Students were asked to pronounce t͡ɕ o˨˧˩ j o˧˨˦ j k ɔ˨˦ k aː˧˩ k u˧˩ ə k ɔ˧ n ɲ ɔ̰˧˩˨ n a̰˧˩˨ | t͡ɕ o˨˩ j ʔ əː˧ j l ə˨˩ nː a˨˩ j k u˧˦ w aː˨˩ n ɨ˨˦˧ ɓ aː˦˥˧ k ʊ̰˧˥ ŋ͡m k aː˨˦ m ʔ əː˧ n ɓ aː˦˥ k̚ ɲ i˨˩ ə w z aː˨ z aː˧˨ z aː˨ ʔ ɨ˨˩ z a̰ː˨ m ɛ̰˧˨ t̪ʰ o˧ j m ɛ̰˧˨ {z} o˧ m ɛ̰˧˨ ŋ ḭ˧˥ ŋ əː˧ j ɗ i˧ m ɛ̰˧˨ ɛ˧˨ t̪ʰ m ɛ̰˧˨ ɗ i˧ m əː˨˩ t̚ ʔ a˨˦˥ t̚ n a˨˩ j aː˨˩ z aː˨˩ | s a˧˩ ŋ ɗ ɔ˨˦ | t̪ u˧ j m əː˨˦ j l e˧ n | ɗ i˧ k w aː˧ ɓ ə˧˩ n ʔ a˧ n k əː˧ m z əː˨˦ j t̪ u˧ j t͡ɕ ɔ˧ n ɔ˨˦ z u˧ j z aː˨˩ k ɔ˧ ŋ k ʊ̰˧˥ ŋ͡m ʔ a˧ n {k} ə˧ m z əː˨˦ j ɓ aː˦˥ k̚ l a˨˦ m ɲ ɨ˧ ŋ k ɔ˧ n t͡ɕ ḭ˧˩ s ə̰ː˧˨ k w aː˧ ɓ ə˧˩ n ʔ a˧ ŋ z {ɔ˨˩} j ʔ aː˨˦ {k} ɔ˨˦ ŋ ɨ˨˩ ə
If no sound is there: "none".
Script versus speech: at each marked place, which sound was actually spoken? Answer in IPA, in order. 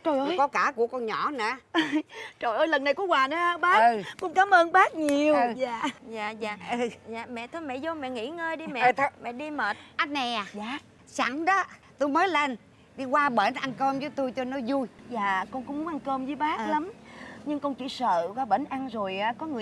z, k, o˨˩, k

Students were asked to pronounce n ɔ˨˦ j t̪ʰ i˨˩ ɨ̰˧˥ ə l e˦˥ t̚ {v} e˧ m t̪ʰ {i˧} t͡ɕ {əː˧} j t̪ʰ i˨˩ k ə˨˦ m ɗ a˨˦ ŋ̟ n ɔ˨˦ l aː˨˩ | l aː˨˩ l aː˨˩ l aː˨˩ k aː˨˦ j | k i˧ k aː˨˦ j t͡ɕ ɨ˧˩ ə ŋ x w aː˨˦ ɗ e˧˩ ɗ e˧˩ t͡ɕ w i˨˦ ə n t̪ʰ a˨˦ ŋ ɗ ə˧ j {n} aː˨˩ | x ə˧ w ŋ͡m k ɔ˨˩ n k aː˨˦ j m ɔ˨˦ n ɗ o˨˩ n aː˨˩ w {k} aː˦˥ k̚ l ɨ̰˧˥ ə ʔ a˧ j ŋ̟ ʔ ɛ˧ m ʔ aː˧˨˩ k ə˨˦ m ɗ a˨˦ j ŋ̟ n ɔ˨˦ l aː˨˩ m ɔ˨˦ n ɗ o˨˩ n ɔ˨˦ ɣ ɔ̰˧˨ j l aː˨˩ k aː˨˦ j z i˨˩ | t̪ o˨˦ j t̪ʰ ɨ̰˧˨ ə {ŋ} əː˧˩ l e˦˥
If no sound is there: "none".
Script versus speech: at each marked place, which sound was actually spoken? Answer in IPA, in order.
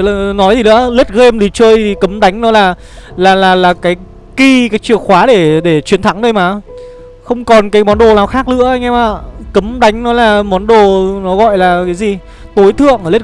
ɣ, i˨˩, əː˧, m, x, ŋ

